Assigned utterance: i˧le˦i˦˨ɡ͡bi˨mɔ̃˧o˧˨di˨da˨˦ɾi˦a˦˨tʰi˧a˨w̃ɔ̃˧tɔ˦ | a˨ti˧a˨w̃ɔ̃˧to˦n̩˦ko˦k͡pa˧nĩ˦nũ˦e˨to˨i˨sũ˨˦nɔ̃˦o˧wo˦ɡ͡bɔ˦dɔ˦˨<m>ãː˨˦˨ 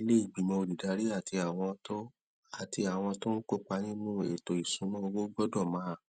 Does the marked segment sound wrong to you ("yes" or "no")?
no